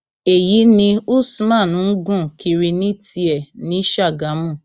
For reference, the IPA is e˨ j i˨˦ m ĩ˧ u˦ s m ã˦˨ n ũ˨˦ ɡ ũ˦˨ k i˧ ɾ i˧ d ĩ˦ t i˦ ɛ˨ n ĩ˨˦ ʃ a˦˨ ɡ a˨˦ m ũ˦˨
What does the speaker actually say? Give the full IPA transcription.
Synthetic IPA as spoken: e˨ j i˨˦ n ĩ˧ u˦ s m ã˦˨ n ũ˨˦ ɡ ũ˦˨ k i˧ ɾ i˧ n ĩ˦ t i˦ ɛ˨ n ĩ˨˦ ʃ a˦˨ ɡ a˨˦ m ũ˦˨